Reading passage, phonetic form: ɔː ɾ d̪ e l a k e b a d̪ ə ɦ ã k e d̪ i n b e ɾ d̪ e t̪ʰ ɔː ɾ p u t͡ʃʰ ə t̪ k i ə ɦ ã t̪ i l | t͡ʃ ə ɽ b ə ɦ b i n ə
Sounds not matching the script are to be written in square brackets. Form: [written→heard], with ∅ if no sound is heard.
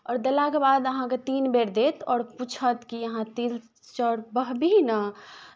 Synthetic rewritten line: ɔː ɾ d̪ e l a k e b a d̪ ə ɦ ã k e [d̪→t̪] i n b e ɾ d̪ e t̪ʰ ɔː ɾ p u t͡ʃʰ ə t̪ k i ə ɦ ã t̪ i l | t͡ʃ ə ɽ b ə ɦ b i n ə